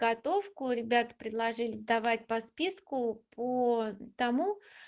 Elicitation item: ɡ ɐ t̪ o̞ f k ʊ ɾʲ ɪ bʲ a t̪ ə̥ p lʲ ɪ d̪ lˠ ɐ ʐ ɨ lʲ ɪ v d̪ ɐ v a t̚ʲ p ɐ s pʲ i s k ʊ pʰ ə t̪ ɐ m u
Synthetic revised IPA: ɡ ɐ t̪ o̞ f k ʊ ɾʲ ɪ bʲ a t̪ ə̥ p ɾʲ ɪ d̪ lˠ ɐ ʐ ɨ lʲ ɪ z d̪ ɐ v a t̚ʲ p ɐ s pʲ i s k ʊ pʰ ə t̪ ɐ m u